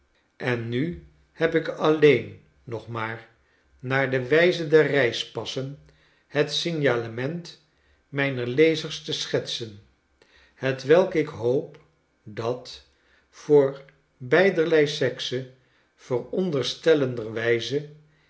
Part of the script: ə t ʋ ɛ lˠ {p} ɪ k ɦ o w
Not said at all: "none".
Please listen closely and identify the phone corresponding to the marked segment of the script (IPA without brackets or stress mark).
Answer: k